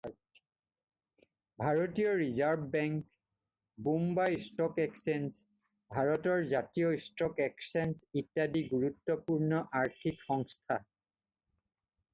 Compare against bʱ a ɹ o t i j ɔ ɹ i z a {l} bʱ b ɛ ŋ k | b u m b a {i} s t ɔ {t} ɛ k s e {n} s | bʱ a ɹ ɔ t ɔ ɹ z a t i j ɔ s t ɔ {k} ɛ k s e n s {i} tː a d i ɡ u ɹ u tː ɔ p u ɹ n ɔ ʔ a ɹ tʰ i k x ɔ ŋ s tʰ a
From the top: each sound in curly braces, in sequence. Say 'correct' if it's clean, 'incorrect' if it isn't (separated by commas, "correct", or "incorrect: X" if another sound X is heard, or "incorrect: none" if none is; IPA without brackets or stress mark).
incorrect: ɹ, incorrect: j, incorrect: k, correct, correct, correct